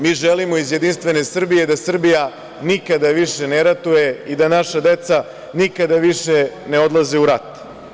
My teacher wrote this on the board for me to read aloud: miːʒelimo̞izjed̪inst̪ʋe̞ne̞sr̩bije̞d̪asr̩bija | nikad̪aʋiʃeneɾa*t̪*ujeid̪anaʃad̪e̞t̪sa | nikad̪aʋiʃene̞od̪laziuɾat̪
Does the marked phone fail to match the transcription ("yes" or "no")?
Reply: no